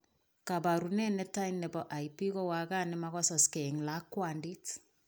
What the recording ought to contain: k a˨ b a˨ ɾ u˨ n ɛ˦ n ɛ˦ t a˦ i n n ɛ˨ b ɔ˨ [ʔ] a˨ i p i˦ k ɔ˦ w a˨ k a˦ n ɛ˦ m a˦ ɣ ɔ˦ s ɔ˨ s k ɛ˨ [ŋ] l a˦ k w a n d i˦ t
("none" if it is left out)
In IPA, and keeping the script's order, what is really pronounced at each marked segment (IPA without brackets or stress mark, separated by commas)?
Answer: ʔ, ŋ